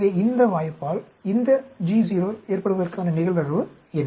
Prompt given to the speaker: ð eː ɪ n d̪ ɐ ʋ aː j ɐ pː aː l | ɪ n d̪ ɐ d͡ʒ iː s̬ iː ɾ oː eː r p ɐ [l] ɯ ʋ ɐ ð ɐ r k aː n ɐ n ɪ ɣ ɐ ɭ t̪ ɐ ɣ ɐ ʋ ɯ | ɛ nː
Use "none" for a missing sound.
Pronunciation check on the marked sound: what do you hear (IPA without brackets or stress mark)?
ɽ